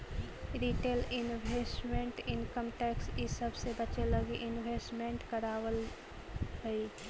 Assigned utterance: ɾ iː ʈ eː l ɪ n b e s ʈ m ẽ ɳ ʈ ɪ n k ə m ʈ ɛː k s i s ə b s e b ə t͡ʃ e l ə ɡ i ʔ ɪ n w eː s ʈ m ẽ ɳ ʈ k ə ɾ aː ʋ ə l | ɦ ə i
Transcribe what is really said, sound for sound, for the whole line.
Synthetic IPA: ɾ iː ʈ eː l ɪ n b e s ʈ m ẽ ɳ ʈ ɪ n k ə m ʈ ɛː k s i s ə b s e b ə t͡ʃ e l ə ɡ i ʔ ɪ n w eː s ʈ m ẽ ɳ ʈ k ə ɾ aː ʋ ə l | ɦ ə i